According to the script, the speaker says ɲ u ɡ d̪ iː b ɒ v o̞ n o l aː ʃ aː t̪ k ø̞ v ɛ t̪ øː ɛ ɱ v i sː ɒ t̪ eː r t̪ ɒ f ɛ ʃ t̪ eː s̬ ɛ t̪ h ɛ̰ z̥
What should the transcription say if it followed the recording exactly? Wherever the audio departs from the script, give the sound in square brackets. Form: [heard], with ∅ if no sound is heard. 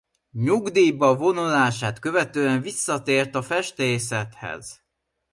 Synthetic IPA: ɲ u ɡ d̪ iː b ɒ v o̞ n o l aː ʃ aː t̪ k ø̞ v ɛ t̪ øː ɛ ɱ v i sː ɒ t̪ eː r t̪ ɒ f ɛ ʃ t̪ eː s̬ ɛ t̪ h ɛ̰ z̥